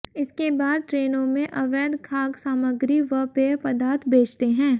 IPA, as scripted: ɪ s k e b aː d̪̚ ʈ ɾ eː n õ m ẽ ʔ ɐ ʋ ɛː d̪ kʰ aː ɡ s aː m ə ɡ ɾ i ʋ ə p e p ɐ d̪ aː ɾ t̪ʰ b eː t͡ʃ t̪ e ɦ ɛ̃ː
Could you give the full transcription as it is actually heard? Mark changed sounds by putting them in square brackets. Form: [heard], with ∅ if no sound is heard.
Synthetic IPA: ɪ s k e b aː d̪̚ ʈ ɾ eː n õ m ẽ ʔ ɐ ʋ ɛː d̪ kʰ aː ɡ s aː m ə ɡ ɾ i ʋ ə p e p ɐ d̪ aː ɾ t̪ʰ b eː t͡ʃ t̪ e ɦ ɛ̃ː